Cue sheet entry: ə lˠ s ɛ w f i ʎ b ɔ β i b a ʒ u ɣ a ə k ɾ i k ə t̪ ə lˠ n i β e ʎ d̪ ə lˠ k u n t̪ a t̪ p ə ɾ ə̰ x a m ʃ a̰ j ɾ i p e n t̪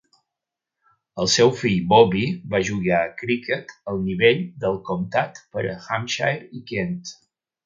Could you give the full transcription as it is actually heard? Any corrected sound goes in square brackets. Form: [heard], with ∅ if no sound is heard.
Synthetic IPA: ə lˠ s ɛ w f i ʎ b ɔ β i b a ʒ u ɣ a ə k ɾ i k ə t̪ ə lˠ n i β e ʎ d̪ ə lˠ k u [m] t̪ a t̪ p ə ɾ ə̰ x a m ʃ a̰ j ɾ i [k] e n t̪